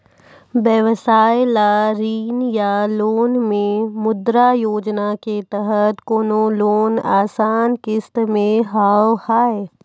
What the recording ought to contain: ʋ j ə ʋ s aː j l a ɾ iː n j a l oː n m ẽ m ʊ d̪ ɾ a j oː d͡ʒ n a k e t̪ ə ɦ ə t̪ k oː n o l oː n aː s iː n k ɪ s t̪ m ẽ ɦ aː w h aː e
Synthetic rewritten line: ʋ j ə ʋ s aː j l a ɾ iː n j a l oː n m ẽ m ʊ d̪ ɾ a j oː d͡ʒ n a k e t̪ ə ɦ ə t̪ k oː n o l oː n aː s aː n k ɪ s t̪ m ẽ ɦ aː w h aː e